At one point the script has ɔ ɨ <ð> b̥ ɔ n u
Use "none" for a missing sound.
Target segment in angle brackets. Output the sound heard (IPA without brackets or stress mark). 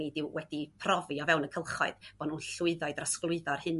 ð